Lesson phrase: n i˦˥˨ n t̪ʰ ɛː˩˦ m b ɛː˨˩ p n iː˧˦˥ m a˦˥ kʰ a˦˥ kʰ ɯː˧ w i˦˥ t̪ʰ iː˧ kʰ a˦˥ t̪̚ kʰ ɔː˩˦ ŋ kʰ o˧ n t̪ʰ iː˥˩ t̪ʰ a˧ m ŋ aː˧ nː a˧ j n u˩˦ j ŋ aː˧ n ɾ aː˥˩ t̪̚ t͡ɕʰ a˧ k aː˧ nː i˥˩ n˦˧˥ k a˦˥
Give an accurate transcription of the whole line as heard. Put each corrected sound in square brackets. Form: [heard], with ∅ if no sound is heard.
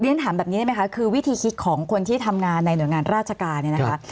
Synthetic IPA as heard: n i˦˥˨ n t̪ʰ [aː˩˦] m b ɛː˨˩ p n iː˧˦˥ m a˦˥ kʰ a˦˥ kʰ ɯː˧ w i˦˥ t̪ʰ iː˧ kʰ [i˦˥] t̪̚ kʰ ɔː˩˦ ŋ kʰ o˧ n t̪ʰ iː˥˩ t̪ʰ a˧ m ŋ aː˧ nː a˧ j n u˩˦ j ŋ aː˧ n ɾ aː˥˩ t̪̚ t͡ɕʰ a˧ k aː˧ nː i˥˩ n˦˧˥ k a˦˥